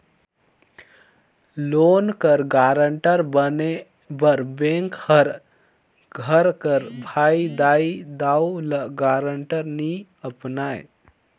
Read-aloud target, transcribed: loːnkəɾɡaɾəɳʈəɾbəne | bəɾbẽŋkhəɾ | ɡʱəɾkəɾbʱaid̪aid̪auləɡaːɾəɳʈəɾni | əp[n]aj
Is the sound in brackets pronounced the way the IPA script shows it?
yes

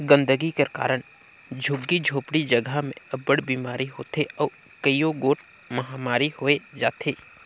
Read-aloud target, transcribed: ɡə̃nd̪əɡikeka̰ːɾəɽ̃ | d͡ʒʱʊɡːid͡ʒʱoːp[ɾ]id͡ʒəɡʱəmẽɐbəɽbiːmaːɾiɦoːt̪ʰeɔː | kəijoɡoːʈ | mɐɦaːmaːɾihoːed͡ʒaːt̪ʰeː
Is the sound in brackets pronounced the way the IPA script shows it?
no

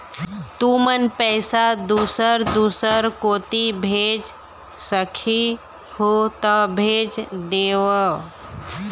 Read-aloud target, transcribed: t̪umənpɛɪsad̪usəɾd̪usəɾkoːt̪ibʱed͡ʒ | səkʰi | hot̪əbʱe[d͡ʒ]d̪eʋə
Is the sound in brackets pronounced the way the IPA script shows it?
yes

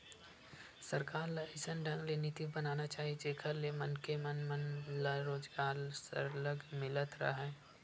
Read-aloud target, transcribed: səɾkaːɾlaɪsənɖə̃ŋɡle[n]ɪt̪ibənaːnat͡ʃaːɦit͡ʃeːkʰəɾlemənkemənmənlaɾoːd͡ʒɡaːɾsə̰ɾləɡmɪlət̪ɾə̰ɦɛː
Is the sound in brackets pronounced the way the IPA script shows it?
yes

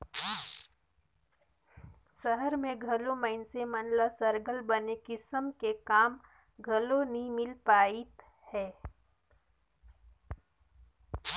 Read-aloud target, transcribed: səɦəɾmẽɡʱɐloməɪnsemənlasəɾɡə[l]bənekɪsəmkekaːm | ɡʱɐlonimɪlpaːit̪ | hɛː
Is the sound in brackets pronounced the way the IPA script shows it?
yes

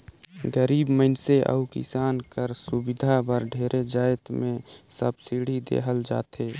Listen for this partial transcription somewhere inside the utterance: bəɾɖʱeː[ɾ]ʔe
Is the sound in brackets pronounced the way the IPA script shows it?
yes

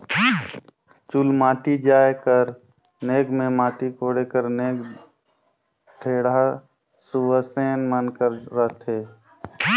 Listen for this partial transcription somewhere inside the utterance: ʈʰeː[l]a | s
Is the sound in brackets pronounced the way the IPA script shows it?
no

